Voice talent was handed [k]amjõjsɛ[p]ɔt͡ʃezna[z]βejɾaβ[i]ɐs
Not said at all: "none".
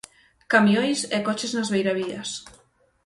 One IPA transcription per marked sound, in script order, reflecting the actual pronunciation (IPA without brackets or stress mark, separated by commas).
k, k, z, i